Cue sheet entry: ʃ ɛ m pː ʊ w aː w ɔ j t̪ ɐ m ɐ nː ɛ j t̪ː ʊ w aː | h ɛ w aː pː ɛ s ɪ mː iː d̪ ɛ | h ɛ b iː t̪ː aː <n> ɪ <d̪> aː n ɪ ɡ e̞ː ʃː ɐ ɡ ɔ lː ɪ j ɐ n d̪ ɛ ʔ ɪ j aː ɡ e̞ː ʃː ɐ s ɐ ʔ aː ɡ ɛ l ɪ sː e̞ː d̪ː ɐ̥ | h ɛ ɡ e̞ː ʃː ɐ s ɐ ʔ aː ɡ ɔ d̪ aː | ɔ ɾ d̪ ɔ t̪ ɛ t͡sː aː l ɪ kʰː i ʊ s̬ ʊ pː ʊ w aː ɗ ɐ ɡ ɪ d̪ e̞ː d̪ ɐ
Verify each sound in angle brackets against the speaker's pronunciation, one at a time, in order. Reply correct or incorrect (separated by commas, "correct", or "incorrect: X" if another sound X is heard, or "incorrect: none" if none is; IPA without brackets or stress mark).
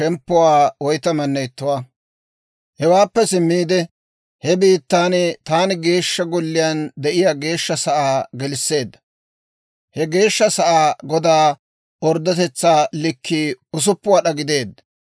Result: correct, incorrect: t̪